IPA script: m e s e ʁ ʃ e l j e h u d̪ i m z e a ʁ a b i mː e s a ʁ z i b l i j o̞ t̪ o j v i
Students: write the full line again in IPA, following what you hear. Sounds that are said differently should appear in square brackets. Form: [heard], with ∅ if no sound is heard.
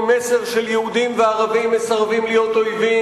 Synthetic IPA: m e s e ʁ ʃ e l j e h u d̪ i m [v] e a ʁ a [v] i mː e s a ʁ [v] i [m] l i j o̞ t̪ o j v i